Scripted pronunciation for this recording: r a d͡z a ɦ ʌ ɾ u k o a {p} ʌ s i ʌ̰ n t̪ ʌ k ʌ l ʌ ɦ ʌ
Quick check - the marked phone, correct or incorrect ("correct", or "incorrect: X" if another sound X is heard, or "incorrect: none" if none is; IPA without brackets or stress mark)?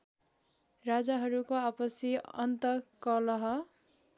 correct